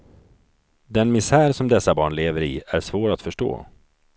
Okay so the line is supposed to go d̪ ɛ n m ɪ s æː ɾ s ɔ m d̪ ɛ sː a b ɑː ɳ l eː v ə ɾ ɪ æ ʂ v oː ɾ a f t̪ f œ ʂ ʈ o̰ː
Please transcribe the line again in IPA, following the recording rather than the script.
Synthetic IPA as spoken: d̪ ɛ n m ɪ s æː ɾ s ɔ m d̪ ɛ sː a b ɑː ɳ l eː v ə ɾ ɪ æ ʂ v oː ɾ a t̪ f œ ʂ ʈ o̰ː